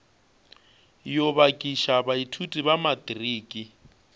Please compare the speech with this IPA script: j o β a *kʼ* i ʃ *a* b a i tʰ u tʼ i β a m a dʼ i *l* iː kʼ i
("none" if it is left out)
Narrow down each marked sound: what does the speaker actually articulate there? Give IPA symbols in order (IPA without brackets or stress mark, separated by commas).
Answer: kʼ, a, r